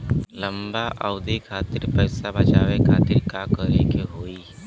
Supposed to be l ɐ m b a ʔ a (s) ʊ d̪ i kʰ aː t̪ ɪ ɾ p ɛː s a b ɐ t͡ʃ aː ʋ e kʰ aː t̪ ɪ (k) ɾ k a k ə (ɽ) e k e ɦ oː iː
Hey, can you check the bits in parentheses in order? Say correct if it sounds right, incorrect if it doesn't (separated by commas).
incorrect, incorrect, incorrect